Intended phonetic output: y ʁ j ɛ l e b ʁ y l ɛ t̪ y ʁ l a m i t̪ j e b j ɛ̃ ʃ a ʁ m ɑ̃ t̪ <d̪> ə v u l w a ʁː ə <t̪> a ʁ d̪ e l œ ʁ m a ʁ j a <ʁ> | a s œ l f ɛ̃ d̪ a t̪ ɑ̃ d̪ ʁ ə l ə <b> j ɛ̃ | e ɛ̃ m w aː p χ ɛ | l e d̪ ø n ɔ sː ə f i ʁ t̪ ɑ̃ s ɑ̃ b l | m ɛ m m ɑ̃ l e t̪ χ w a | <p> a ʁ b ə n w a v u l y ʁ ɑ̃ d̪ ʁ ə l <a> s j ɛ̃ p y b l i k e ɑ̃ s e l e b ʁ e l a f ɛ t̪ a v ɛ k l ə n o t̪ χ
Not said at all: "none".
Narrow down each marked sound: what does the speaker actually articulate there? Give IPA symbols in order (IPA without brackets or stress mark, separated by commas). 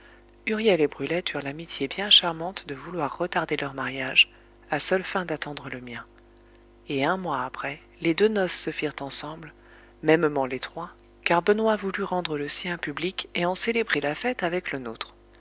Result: d̪, t̪, ʒ, m, k, ə